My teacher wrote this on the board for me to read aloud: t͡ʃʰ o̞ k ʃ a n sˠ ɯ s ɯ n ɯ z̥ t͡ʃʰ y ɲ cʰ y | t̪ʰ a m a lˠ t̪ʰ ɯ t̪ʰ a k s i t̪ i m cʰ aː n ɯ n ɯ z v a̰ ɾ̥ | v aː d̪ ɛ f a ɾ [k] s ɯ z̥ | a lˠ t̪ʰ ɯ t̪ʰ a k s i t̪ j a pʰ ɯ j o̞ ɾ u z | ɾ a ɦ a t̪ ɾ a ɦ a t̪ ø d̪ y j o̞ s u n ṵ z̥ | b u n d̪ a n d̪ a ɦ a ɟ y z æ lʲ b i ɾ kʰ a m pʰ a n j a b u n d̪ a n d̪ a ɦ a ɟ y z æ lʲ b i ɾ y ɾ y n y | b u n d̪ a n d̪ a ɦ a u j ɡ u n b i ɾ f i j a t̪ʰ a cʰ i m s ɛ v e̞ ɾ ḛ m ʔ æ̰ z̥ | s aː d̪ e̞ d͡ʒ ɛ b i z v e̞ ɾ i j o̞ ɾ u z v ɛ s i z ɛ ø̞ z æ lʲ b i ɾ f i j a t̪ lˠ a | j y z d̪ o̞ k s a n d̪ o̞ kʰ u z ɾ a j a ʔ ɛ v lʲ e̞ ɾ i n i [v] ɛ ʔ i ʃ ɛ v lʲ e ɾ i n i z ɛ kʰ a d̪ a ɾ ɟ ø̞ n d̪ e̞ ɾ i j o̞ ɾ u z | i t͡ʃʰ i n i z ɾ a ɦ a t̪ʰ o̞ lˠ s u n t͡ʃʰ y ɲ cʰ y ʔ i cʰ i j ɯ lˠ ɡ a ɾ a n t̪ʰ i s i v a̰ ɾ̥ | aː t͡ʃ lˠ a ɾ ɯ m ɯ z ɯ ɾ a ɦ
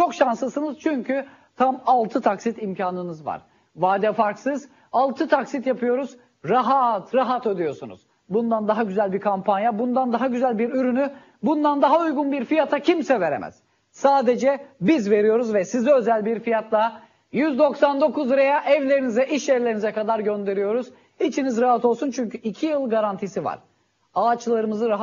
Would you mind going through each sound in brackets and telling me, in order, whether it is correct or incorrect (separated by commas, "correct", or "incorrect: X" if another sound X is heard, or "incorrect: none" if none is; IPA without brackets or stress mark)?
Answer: correct, incorrect: z